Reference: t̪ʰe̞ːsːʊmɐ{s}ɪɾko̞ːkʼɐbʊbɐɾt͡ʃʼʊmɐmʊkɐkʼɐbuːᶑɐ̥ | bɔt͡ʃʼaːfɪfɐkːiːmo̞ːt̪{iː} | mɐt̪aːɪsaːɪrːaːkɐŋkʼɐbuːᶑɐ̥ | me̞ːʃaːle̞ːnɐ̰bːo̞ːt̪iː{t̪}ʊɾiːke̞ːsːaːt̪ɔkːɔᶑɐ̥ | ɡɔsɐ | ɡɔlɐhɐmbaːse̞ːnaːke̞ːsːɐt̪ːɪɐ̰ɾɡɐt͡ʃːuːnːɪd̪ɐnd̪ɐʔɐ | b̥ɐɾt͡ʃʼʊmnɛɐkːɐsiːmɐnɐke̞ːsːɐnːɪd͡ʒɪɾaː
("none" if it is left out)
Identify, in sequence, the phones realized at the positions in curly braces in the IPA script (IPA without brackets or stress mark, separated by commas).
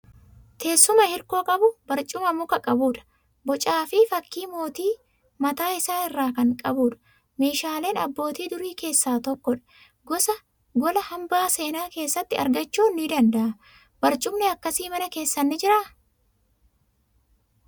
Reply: h, iː, d̪